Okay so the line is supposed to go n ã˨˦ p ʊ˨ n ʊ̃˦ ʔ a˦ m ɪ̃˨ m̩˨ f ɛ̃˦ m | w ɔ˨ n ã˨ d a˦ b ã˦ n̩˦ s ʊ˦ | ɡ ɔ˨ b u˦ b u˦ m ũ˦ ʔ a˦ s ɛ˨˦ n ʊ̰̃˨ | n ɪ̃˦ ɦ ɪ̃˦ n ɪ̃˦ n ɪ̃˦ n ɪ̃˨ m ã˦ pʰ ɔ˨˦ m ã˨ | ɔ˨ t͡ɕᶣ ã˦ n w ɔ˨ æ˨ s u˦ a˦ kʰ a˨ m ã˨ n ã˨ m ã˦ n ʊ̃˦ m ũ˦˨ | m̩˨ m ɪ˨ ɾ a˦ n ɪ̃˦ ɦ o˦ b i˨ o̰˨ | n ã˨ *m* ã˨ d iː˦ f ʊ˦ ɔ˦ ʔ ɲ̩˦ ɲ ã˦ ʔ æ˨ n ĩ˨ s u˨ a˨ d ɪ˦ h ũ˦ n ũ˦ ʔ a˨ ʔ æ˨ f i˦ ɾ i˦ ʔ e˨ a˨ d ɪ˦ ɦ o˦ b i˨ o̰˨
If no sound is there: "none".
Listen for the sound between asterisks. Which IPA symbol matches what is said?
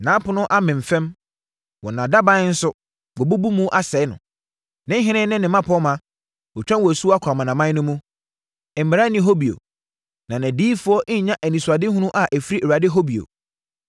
n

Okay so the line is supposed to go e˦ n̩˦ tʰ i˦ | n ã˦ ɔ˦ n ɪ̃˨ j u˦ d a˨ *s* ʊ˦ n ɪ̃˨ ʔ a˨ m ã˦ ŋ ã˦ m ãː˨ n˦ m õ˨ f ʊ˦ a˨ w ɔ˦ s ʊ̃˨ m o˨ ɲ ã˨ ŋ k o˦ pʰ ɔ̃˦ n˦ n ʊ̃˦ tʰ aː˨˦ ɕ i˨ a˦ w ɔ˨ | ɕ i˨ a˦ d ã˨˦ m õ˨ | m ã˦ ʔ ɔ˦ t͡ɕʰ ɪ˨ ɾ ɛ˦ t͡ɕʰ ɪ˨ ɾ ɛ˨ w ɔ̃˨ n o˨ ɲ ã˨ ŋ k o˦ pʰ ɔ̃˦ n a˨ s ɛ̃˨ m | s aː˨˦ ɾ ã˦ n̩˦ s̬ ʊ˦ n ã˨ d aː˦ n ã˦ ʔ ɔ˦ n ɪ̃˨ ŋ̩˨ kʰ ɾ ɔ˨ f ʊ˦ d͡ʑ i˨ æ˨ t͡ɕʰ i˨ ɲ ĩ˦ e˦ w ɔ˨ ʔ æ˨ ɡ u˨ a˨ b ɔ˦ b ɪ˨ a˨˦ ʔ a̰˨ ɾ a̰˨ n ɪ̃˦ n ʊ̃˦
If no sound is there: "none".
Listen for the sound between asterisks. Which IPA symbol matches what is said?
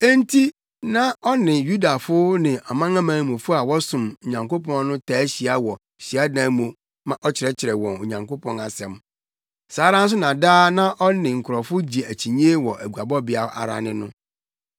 f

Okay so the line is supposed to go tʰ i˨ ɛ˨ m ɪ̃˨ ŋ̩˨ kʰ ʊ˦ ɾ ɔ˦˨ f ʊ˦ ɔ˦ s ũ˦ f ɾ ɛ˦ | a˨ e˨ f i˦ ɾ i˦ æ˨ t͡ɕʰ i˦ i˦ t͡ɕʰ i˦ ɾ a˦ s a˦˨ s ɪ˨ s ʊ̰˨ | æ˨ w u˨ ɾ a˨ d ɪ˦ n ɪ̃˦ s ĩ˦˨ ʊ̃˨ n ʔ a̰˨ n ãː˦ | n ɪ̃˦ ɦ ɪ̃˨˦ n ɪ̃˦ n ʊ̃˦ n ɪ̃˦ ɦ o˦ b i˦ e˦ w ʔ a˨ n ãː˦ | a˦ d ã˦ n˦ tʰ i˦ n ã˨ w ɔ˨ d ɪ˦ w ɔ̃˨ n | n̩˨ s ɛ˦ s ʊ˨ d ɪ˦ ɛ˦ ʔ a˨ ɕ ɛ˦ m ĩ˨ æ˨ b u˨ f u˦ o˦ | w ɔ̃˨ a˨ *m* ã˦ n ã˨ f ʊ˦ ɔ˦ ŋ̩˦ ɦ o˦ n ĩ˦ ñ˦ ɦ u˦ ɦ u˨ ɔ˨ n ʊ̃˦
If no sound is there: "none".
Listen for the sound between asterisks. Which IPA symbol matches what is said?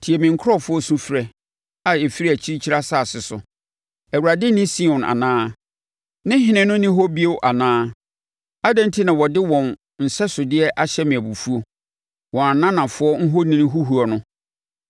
n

